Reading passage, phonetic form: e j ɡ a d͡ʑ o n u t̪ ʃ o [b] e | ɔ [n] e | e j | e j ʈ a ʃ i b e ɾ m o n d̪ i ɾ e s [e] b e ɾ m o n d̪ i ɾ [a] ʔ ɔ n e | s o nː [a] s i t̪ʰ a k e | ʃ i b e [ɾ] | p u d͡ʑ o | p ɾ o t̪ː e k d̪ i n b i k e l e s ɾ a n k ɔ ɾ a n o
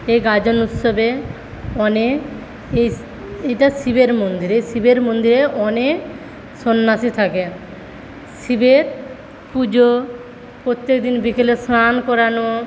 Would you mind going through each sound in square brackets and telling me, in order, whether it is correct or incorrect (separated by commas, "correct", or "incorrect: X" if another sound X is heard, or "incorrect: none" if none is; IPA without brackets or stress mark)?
correct, correct, incorrect: i, incorrect: e, correct, correct